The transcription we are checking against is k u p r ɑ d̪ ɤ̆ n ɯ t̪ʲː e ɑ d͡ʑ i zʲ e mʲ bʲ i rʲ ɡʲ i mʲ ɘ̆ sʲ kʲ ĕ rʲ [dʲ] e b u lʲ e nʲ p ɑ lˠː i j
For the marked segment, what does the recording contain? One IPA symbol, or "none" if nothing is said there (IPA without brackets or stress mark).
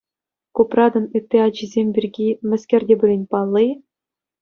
dʲ